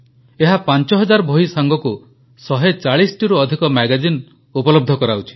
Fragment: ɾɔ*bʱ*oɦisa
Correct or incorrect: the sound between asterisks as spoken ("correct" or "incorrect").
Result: correct